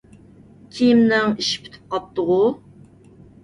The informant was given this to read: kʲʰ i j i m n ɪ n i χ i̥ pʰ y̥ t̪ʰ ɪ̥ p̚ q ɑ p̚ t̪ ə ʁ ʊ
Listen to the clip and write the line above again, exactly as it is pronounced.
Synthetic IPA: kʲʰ i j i m n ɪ ŋ i ʃ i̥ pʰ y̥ t̪ʰ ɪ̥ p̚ q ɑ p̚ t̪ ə ʁ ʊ